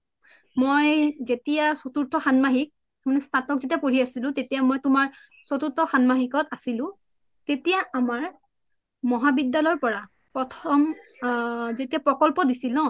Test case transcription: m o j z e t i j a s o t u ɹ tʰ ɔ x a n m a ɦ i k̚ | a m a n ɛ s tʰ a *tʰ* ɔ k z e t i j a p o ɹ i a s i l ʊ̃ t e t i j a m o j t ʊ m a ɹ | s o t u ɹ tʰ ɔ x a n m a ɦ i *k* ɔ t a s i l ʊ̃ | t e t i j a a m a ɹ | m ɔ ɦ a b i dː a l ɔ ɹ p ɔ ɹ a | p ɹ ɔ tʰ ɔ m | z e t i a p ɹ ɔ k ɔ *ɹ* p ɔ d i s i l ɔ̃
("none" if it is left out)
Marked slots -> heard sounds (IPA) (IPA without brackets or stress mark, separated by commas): t, k, l